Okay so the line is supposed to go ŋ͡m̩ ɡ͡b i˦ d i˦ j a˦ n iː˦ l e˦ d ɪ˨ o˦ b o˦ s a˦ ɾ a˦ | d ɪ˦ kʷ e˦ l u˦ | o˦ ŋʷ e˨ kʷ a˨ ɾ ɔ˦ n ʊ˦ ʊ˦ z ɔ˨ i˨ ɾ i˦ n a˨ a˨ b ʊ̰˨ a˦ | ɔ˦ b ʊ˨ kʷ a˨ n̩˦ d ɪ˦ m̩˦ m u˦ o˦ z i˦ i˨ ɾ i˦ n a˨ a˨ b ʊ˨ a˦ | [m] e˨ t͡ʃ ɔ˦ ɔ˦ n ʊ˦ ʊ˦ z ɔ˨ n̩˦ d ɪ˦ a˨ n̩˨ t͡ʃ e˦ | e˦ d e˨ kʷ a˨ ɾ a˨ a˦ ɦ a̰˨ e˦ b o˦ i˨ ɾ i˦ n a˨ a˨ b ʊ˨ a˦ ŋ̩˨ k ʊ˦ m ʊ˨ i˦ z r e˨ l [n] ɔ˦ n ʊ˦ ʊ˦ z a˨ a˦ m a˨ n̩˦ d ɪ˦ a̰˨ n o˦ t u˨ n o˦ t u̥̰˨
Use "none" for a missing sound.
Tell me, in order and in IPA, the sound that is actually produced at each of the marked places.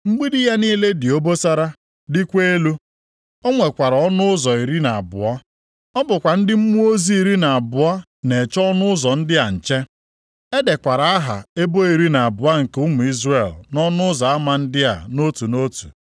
n, n

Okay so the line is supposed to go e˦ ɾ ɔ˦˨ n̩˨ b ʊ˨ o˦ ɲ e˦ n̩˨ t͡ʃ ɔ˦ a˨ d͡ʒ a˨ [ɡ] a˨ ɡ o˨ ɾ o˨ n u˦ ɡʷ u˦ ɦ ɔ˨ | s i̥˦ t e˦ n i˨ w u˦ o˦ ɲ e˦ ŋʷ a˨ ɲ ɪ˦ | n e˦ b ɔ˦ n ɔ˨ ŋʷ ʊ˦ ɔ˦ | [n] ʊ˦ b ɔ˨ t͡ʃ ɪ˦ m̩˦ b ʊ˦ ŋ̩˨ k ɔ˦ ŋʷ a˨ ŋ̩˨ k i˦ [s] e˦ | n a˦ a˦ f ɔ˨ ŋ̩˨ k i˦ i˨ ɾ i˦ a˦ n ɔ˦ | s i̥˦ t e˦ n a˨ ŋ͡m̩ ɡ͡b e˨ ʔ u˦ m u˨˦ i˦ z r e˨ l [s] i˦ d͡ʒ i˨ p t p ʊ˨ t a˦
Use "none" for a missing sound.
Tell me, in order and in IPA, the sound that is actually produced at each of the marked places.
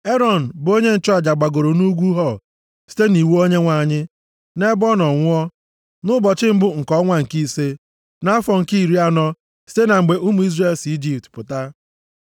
ɡ͡b, n, s, s

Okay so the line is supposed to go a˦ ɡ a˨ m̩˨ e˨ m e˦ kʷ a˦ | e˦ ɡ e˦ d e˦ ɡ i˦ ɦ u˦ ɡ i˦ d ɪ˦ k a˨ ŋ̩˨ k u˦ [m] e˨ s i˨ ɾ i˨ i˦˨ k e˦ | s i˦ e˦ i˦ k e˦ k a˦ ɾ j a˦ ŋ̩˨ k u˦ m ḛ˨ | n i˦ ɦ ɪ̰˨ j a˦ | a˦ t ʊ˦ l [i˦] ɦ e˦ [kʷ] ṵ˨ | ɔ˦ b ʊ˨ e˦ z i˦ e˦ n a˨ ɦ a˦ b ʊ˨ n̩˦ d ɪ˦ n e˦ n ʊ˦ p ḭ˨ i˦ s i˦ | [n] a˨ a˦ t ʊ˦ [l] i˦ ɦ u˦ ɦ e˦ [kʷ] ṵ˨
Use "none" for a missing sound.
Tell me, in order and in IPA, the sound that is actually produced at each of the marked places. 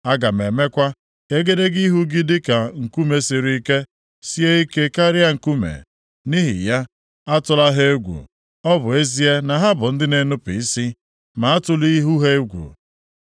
m, a˦, ɡʷ, m, l, ɡʷ

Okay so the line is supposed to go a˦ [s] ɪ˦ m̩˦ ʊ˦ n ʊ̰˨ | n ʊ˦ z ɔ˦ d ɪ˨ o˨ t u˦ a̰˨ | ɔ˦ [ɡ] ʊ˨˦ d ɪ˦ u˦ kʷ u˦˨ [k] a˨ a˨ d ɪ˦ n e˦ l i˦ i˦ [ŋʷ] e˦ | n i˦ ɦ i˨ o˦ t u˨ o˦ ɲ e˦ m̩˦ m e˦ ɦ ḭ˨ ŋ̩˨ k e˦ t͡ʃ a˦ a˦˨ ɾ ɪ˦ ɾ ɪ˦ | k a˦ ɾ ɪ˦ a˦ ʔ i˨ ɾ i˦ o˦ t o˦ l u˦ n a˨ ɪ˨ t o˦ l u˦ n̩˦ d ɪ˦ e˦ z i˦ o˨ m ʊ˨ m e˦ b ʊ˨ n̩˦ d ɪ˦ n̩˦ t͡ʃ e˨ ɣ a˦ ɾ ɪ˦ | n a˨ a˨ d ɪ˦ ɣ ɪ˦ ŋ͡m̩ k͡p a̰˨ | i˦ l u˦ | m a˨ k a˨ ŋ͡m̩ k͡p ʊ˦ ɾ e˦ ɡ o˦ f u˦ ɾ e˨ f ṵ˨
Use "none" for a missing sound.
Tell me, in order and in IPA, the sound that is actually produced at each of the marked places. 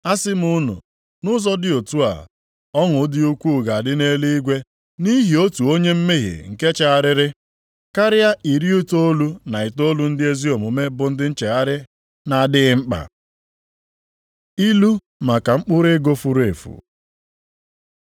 s, ŋ, ɡ, ɡʷ

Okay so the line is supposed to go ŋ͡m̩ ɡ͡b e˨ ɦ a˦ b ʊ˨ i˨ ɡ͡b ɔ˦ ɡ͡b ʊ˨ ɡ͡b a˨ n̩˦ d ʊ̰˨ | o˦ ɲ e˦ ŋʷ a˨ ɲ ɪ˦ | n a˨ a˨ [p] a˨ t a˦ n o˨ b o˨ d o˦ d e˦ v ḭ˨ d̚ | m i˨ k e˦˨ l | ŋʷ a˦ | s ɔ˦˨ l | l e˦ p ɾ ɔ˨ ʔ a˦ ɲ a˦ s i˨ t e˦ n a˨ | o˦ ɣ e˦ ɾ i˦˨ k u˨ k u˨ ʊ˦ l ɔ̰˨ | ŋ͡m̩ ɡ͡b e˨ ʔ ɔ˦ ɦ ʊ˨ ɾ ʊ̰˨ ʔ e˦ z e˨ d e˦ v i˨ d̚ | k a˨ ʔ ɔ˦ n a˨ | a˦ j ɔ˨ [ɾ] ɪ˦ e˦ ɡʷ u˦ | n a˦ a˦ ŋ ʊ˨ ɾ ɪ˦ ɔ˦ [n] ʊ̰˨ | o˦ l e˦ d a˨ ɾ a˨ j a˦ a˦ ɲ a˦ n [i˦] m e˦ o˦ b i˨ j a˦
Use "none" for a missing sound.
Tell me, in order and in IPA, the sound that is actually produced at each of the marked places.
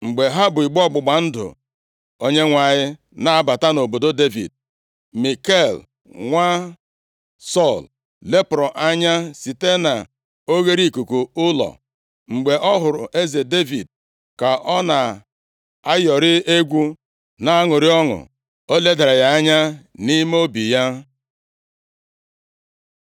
b, ɾ, ŋ, i˦

